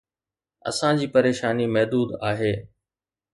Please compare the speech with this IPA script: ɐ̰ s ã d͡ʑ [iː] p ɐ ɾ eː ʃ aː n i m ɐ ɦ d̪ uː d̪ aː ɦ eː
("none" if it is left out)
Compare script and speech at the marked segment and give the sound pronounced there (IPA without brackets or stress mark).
iː